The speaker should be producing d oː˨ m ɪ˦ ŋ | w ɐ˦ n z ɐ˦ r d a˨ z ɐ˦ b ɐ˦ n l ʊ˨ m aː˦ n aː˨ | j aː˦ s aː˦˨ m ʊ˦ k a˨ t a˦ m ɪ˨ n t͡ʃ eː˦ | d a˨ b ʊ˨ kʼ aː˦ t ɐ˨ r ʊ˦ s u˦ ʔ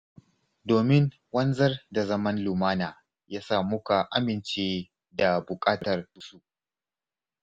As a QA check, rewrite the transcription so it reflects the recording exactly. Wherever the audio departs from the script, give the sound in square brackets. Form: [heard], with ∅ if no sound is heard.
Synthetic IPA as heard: d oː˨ m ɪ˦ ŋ | w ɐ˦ n z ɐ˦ r d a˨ z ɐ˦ [m] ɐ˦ n l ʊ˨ m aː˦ n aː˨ | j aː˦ s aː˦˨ m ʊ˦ k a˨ [ʔ] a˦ m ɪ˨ n t͡ʃ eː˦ | d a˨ b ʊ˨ kʼ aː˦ t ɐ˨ r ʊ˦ s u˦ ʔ